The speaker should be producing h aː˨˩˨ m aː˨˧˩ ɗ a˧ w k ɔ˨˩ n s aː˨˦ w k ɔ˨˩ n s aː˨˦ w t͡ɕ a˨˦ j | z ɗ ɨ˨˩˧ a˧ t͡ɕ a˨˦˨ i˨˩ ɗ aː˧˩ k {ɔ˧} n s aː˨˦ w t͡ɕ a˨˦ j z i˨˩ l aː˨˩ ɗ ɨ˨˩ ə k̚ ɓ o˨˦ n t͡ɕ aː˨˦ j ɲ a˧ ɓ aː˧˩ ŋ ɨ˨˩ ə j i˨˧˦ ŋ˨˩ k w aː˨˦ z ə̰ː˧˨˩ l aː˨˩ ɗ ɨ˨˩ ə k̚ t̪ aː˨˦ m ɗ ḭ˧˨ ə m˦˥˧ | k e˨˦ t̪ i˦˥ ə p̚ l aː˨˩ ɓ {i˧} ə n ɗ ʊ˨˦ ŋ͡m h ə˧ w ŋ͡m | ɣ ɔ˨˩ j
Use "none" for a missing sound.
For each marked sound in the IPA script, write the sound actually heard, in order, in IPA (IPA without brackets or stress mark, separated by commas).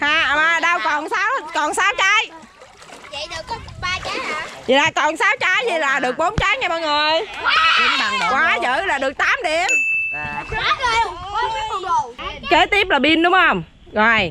ɔ˨˩, i˧